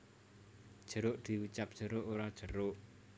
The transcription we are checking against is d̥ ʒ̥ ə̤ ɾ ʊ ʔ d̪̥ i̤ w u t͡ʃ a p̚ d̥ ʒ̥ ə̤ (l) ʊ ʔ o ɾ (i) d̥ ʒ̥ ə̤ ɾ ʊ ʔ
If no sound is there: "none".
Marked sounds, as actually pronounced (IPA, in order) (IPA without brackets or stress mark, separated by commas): ɾ, a